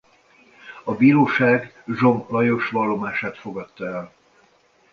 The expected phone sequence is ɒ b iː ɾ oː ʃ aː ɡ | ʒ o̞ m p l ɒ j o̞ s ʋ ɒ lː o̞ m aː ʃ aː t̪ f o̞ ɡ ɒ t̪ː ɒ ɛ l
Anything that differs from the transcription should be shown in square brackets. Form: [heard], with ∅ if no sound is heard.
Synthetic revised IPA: ɒ b iː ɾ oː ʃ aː ɡ | ʒ o̞ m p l ɒ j o̞ [ʃ] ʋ ɒ lː o̞ m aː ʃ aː t̪ f o̞ ɡ ɒ t̪ː ɒ ɛ l